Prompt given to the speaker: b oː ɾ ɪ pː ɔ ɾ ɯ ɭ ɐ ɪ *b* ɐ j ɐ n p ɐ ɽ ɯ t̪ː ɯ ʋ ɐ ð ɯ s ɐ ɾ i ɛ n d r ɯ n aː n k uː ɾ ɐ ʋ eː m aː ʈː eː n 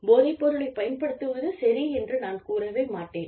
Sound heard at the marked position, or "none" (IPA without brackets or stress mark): p